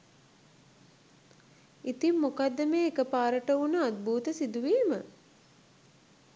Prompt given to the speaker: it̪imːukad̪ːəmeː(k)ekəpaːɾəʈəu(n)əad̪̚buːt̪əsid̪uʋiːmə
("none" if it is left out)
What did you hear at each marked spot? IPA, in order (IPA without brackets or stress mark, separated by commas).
none, n